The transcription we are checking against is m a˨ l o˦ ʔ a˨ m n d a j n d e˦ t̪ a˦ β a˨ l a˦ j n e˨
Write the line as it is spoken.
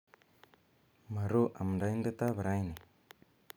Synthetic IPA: m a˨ ɾ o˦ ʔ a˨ m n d a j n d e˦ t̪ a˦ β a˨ ɾ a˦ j n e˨